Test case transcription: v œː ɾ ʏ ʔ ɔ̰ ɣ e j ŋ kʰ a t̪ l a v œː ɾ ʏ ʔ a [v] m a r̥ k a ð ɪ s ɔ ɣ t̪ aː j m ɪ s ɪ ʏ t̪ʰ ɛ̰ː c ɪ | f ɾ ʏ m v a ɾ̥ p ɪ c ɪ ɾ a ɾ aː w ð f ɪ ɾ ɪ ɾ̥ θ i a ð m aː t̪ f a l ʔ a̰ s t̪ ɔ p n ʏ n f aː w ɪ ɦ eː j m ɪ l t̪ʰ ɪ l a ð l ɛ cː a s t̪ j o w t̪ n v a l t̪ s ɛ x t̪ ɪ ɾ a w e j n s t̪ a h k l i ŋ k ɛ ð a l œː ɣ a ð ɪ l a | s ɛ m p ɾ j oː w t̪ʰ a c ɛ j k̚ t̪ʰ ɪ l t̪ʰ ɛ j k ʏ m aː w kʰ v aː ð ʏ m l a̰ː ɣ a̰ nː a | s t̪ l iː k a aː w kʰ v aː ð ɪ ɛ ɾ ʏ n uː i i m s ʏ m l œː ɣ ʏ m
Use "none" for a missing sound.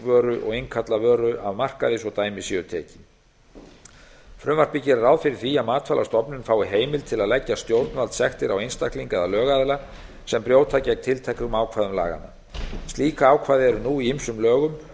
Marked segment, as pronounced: v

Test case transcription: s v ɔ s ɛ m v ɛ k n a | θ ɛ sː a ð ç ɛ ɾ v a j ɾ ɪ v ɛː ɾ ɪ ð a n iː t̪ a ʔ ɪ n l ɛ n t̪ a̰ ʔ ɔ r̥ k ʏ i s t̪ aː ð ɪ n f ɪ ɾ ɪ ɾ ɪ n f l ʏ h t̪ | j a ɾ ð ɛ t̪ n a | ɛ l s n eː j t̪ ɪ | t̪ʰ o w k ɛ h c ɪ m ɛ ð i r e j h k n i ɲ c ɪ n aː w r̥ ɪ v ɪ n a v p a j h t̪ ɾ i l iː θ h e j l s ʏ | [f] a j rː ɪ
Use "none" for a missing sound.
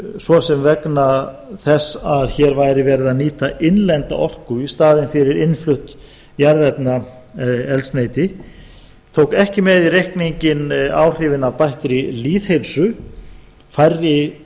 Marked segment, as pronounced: f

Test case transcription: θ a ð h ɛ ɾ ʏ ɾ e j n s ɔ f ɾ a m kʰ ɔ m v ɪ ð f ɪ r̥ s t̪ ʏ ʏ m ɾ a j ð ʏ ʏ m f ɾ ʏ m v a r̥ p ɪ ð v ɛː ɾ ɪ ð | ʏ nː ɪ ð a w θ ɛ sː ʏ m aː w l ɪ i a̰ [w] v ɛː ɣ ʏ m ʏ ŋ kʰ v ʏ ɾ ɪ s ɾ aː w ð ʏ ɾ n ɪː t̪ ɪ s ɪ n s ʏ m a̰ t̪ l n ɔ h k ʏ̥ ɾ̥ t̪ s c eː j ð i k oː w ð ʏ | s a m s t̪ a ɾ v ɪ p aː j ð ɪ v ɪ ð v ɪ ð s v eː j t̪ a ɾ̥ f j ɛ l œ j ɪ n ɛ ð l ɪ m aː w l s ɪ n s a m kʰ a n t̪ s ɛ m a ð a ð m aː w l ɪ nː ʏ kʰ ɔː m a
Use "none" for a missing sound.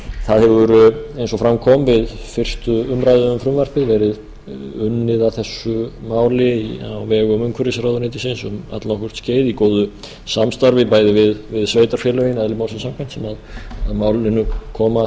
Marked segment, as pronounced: w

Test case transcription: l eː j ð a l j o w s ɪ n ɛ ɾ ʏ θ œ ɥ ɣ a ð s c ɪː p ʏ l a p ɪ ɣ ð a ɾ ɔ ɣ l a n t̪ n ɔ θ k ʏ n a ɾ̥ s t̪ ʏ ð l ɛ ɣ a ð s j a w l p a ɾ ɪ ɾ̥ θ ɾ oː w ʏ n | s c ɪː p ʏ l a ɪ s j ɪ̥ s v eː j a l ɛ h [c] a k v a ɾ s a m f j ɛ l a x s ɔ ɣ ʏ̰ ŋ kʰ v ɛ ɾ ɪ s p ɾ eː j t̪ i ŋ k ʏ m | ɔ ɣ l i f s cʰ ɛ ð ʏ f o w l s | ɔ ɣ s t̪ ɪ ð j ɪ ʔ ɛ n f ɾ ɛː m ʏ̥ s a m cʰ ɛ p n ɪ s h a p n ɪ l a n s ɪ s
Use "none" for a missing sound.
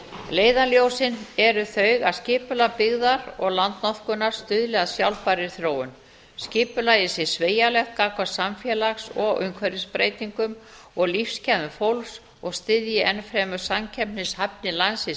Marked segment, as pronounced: k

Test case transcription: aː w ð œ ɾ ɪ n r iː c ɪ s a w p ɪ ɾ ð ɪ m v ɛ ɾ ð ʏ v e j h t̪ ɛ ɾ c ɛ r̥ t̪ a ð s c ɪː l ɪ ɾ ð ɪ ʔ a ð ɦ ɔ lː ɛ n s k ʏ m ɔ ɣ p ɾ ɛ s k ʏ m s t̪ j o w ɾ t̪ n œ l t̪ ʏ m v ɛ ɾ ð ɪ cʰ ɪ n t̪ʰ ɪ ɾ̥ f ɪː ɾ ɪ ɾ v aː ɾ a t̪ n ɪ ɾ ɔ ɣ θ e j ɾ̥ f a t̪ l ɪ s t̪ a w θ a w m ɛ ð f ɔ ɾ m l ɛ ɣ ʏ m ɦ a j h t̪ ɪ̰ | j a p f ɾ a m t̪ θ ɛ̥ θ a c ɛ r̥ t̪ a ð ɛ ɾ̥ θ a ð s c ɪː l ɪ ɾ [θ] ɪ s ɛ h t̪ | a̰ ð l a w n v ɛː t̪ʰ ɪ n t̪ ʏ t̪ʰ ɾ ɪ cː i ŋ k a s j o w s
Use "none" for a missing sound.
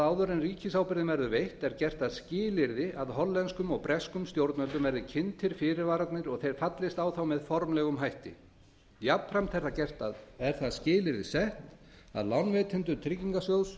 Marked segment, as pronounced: ð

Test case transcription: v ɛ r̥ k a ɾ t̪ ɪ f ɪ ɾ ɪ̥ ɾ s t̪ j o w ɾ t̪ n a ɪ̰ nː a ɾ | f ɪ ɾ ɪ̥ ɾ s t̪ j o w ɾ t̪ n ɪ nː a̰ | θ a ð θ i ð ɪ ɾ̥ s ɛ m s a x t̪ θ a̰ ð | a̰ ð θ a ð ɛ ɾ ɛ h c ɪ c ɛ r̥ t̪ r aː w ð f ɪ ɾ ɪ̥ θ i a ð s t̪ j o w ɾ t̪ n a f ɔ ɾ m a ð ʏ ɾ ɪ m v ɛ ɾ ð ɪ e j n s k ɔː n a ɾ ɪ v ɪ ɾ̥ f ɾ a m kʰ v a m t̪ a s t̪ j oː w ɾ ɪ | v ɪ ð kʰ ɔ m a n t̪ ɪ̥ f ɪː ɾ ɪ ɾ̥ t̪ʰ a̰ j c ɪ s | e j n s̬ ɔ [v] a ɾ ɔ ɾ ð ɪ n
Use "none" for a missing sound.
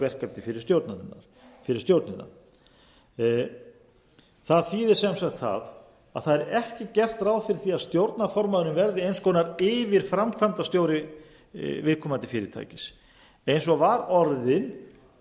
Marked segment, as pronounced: v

